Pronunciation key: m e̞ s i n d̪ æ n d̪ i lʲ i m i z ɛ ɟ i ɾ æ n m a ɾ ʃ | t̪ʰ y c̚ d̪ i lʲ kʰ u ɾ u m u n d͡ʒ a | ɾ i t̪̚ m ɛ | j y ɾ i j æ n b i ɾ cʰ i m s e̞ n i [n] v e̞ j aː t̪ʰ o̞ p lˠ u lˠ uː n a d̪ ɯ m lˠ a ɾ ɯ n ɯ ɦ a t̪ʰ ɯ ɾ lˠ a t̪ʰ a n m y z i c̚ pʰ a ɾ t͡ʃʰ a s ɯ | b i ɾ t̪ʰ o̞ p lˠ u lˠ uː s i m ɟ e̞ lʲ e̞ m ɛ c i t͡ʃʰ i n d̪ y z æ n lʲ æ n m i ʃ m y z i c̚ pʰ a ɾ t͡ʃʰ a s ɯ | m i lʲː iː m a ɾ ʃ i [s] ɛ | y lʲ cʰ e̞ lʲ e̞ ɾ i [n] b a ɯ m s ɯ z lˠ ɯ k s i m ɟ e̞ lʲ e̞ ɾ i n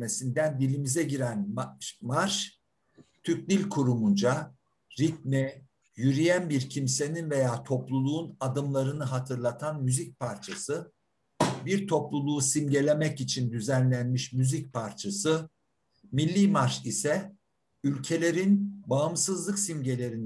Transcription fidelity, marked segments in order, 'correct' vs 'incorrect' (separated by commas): correct, correct, correct